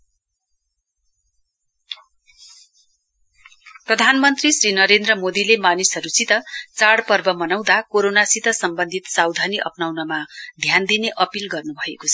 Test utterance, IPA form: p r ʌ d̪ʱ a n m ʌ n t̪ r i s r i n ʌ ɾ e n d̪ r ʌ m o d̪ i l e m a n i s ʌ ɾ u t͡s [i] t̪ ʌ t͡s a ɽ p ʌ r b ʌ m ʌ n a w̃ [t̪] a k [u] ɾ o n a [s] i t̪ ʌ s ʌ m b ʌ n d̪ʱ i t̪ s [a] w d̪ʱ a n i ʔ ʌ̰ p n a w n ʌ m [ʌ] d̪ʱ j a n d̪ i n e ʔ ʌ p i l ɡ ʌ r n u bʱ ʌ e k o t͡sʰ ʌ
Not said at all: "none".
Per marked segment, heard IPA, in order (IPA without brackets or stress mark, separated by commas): i, d̪, o, s, a, a